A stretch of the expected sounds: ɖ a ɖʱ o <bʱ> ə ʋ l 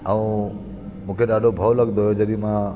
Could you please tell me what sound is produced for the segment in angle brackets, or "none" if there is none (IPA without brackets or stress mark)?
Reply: bʱ